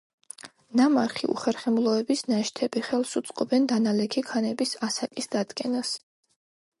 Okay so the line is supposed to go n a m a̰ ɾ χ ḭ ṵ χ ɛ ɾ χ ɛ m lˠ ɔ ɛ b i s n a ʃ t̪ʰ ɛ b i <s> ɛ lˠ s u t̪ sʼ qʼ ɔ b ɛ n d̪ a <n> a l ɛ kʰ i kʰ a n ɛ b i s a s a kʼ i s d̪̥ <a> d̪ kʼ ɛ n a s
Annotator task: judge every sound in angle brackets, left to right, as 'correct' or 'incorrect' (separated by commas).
incorrect, correct, correct